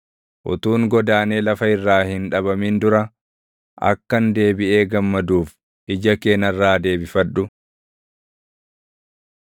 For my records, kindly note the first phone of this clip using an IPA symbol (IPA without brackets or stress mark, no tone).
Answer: ʔ